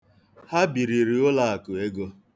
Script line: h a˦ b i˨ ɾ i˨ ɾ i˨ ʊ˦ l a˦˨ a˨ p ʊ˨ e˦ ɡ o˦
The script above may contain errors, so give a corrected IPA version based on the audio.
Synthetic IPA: h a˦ b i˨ ɾ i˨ ɾ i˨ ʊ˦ l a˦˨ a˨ k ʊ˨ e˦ ɡ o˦